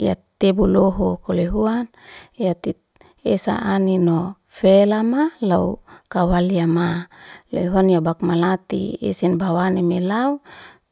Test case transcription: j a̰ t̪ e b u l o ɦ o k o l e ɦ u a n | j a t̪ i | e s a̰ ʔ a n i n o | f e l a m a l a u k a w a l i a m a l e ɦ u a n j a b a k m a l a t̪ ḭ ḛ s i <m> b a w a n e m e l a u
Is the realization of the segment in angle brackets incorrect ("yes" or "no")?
yes